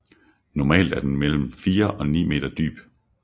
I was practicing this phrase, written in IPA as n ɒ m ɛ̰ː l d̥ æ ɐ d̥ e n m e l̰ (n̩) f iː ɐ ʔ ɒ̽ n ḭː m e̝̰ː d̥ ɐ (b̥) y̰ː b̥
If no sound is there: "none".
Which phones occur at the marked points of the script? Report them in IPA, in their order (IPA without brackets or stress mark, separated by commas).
m̩, d̥